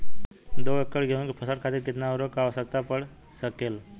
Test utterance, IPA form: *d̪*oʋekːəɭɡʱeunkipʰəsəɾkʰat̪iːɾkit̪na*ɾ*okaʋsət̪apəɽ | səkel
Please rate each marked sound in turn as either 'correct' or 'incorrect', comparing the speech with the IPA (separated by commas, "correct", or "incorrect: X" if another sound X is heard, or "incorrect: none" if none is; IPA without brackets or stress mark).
correct, correct